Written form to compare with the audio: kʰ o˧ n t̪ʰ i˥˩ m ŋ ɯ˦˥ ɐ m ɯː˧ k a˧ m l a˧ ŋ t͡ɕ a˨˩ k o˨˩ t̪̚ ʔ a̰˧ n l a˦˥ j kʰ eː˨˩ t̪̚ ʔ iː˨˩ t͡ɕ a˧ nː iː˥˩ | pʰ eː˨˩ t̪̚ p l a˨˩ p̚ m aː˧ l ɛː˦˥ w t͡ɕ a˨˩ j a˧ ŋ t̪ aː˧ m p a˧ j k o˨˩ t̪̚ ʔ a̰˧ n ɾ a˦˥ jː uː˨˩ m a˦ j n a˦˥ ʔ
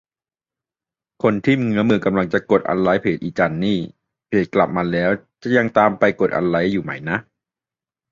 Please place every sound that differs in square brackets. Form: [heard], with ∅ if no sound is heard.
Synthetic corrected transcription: kʰ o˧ n t̪ʰ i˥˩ m ŋ ɯ˦˥ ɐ m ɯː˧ k a˧ m l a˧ ŋ t͡ɕ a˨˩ k o˨˩ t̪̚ ʔ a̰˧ n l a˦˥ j [pʰ] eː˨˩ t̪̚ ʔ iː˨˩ t͡ɕ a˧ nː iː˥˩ | pʰ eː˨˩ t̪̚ [k] l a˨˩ p̚ m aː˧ l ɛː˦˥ w t͡ɕ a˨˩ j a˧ ŋ t̪ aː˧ m p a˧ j k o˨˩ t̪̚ ʔ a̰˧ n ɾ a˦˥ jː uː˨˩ m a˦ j n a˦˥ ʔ